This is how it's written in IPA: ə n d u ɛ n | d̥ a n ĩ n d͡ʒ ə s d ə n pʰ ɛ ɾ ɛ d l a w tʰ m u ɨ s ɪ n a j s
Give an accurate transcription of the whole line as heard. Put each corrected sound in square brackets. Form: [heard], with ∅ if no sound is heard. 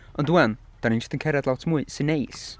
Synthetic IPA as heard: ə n d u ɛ n | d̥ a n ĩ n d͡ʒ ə s [t] ə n [kʰ] ɛ ɾ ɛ d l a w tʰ m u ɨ s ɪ n [e] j s